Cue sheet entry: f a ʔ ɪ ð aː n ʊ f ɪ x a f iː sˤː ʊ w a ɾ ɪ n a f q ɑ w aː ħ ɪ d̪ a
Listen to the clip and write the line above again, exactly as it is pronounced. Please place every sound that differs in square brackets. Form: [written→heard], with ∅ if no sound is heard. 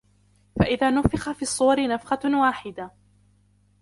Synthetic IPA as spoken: f a ʔ ɪ ð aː n ʊ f ɪ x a f iː sˤː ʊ w [a→ɑ] ɾ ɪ n a f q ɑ w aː ħ ɪ d̪ a